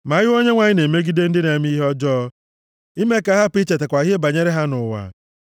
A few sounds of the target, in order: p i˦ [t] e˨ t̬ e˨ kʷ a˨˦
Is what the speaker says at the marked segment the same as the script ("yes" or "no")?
no